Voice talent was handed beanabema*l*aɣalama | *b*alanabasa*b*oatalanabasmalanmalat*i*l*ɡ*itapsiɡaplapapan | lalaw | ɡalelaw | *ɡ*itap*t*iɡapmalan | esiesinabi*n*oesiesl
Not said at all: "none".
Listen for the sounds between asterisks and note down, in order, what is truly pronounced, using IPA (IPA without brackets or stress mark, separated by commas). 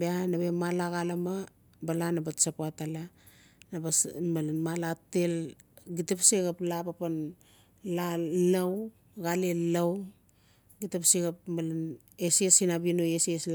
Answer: l, b, p, e, ɡ, ɡ, s, n